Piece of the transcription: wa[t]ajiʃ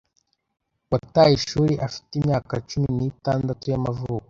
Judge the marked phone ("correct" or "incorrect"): correct